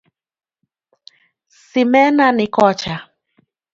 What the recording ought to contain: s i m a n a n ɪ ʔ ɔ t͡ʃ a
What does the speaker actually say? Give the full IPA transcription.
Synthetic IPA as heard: s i m ɛ n a n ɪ k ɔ t͡ʃ a